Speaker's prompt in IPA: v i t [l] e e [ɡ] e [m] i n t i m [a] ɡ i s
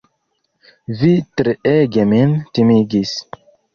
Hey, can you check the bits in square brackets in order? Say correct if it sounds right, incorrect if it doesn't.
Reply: incorrect: ɾ, correct, correct, incorrect: i

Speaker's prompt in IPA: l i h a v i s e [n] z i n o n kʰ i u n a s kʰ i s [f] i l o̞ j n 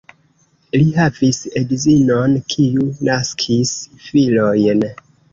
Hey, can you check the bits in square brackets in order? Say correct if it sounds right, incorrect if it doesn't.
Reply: incorrect: d, correct

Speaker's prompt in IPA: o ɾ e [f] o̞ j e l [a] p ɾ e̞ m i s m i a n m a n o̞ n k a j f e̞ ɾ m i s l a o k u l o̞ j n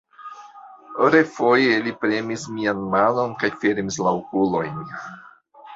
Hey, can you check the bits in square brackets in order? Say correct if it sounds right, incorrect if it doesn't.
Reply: correct, incorrect: i

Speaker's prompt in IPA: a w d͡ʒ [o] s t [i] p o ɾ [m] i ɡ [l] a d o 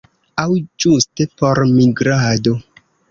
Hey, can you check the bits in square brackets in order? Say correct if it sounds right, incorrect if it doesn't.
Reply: incorrect: u, incorrect: e, correct, incorrect: ɾ

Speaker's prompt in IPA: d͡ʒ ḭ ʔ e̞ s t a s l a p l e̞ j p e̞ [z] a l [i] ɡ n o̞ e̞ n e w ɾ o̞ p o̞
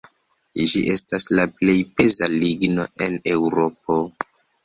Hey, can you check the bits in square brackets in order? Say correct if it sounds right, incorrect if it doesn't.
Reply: correct, correct

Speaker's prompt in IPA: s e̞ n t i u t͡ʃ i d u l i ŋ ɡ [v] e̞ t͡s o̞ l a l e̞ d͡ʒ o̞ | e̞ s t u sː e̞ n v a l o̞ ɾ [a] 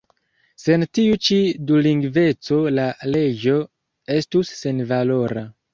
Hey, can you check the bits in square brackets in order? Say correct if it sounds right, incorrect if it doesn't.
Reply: correct, correct

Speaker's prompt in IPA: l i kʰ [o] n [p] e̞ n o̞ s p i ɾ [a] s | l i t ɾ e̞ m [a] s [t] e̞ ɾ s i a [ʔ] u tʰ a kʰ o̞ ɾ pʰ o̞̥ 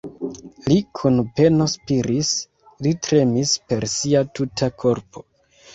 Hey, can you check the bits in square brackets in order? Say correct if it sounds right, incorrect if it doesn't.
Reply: incorrect: u, correct, incorrect: i, incorrect: i, incorrect: p, incorrect: t

